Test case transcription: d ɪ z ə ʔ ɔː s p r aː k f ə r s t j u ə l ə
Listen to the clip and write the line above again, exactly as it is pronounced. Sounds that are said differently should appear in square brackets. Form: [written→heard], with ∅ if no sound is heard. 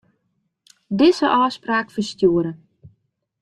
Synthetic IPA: d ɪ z ə ʔ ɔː s p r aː k f ə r s t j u ə [l→ɾ] ə